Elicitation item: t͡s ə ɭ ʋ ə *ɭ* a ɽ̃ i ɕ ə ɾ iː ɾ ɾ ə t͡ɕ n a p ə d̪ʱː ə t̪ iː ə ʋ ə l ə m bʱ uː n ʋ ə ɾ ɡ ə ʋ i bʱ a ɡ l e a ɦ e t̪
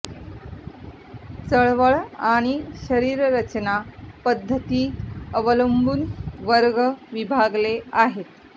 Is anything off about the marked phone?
no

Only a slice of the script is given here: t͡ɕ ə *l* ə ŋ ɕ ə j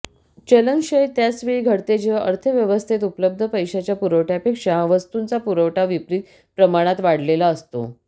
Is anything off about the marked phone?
no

